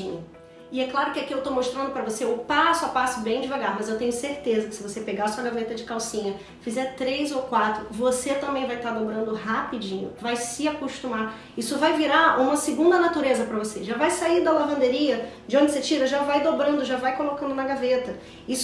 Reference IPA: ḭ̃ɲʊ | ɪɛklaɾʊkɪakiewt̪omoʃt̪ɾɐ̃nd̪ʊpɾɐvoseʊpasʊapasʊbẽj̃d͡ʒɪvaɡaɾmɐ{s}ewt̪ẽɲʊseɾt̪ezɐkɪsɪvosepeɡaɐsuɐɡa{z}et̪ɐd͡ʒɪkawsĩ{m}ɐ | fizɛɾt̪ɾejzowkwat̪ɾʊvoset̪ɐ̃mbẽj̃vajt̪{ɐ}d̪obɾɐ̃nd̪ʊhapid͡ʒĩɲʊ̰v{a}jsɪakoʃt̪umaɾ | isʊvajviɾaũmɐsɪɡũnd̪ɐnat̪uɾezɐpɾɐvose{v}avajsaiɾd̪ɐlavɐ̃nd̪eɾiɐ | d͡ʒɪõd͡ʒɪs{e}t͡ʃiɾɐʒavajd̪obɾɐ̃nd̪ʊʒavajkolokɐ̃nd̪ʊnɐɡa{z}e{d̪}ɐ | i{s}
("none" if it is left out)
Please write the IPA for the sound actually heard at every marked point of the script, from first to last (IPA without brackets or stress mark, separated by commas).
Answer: z, v, ɲ, a, a, ʒ, e, v, t̪, s